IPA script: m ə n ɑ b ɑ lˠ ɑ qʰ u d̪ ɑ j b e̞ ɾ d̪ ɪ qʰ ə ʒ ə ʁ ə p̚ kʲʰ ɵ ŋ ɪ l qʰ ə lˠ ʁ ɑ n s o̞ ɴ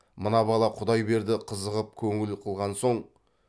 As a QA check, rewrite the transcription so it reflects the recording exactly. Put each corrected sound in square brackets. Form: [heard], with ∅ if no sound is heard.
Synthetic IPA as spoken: m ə n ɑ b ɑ lˠ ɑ qʰ [ʊ] d̪ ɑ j b e̞ ɾ d̪ ɪ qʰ ə [z] ə ʁ ə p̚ kʲʰ ɵ ŋ ɪ l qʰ ə lˠ ʁ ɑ n s o̞ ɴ